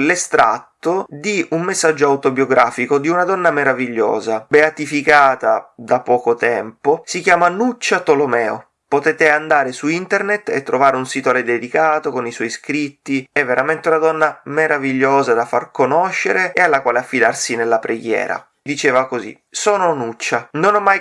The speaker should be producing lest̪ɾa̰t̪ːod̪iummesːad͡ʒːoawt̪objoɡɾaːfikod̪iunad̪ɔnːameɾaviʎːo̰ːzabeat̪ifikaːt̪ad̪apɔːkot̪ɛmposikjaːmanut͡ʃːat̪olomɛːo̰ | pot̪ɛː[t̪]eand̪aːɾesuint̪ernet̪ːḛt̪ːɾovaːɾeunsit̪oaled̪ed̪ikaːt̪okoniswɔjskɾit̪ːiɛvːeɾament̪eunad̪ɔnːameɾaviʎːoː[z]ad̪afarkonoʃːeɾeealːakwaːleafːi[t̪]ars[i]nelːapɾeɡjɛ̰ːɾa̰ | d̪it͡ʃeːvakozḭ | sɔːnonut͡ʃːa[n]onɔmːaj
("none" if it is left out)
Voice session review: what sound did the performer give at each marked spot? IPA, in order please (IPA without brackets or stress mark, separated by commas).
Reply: t̪, z, d̪, i, n